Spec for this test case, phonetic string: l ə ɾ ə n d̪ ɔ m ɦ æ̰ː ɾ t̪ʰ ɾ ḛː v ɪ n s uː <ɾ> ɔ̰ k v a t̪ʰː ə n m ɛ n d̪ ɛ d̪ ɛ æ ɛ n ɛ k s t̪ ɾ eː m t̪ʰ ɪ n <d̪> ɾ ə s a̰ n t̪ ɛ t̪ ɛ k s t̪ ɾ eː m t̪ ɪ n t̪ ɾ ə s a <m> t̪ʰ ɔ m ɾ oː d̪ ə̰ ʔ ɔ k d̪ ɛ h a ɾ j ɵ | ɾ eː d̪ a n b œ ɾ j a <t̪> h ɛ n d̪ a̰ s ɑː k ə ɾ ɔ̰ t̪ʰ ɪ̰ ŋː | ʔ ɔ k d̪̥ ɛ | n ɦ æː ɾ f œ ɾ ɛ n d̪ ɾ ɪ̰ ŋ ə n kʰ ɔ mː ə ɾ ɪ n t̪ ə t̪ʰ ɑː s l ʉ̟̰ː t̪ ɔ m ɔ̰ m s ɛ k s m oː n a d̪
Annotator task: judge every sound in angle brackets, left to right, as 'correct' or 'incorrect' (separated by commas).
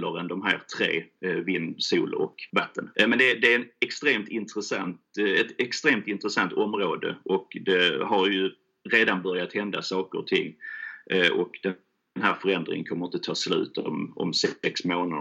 incorrect, incorrect, incorrect, correct